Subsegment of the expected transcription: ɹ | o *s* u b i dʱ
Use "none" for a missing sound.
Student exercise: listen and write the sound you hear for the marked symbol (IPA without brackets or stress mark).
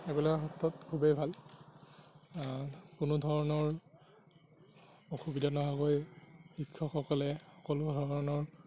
x